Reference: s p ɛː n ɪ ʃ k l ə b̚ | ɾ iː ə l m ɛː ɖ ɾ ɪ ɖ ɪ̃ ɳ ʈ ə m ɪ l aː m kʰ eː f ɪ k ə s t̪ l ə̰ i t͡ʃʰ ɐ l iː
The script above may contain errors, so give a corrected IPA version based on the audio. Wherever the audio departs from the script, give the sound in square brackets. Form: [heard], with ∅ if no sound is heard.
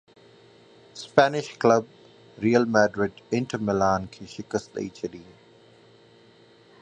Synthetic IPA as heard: s p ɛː n ɪ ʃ k l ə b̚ | ɾ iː ə l m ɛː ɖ ɾ ɪ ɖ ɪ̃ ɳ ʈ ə m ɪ l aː [n] kʰ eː [ʃ] ɪ k ə s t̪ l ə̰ i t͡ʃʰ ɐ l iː